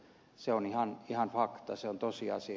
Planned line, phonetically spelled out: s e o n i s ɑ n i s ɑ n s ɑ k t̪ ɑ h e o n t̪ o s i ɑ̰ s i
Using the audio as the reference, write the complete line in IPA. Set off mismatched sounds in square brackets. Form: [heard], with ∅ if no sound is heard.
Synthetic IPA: s e o n i [h] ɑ n i [h] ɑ n [f] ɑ k t̪ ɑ [s] e o n t̪ o s i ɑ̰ s i